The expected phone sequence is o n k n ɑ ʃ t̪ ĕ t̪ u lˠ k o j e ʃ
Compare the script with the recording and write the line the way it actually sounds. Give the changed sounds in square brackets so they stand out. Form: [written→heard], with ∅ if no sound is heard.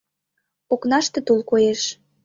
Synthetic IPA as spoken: o [n→∅] k n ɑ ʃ t̪ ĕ t̪ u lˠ k o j e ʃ